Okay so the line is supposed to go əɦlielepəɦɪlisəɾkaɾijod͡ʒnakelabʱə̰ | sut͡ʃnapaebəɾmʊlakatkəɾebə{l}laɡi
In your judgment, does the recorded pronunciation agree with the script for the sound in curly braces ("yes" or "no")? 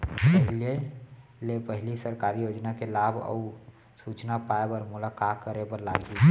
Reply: no